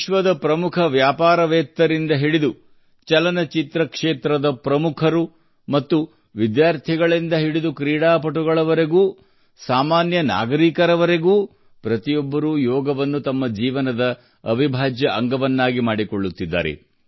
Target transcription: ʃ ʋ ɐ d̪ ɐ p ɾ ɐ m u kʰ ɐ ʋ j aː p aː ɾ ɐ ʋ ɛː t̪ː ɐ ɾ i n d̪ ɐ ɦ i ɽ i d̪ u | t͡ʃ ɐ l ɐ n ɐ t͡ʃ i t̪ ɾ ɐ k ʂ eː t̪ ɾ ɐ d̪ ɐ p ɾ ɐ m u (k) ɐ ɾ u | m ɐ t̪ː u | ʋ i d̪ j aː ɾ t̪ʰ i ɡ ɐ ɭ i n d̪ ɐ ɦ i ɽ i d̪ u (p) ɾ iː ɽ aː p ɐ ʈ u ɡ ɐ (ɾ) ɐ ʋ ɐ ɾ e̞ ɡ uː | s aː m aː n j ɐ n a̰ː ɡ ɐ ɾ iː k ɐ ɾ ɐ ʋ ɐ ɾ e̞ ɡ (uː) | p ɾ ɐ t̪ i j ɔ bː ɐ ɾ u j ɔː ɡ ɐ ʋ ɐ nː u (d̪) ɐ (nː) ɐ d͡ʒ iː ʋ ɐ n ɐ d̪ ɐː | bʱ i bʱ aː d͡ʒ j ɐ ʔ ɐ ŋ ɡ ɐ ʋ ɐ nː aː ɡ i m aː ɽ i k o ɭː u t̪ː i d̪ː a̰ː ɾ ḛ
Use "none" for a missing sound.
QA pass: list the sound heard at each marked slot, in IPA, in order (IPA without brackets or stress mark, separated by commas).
kʰ, k, ɭ, uː, t̪, mː